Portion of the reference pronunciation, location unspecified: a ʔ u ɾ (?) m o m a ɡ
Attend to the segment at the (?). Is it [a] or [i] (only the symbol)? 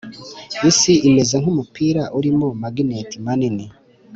i